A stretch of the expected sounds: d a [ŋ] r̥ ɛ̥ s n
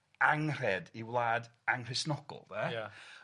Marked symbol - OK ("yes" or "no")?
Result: yes